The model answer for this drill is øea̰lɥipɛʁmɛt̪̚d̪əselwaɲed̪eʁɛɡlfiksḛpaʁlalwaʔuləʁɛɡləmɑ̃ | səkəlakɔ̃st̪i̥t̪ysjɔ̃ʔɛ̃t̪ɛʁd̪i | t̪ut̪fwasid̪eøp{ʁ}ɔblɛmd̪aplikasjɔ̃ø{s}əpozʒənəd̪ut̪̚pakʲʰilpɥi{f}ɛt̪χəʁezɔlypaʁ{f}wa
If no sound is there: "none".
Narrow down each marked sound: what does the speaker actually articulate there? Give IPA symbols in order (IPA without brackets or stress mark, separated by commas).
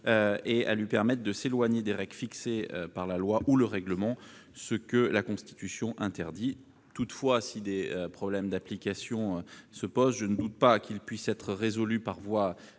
χ, s, s, v